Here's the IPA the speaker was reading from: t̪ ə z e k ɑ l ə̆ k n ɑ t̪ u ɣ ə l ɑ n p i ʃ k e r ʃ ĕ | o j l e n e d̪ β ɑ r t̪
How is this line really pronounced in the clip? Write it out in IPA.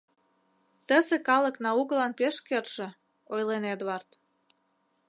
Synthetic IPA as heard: t̪ ə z e k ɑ l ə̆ k n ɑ u ɣ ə l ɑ n p e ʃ k e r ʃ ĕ | o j l e n e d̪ β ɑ r t̪